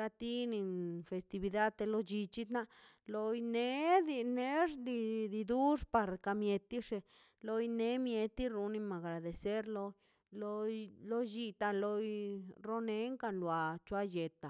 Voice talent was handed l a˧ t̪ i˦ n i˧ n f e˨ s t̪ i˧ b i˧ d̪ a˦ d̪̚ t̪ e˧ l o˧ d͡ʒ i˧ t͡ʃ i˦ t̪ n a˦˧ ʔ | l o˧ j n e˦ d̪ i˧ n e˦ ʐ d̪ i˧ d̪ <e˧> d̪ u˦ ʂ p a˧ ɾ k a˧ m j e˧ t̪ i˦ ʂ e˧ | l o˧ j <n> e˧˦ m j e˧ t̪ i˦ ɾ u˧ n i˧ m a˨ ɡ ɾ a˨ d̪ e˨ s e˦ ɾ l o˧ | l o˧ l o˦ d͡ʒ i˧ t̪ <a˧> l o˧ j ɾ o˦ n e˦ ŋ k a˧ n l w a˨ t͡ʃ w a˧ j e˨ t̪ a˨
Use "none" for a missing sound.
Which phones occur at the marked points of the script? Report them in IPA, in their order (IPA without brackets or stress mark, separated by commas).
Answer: i˧, n, a˧